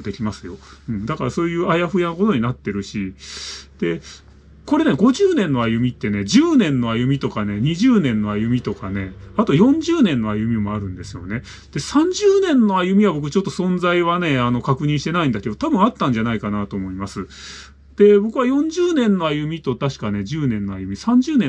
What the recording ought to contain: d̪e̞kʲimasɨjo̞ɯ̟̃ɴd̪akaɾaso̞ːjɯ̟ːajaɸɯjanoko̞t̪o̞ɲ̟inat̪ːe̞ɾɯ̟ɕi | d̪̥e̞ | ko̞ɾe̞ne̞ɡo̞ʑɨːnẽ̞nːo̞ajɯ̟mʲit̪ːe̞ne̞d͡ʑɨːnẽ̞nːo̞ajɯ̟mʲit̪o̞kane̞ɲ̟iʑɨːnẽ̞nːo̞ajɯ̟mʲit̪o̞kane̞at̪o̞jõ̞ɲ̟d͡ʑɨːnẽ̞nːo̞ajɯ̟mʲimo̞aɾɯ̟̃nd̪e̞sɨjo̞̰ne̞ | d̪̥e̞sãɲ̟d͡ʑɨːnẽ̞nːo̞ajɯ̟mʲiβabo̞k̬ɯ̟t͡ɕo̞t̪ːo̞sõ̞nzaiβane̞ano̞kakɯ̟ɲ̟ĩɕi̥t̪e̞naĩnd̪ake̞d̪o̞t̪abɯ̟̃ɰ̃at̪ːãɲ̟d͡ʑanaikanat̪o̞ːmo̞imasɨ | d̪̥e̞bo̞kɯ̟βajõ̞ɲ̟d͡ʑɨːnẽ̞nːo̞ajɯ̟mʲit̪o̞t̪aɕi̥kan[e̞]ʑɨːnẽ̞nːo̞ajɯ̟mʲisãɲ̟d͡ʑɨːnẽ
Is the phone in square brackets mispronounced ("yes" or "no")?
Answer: no